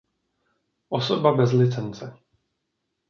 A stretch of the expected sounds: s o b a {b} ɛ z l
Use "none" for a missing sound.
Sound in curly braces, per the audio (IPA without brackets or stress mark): b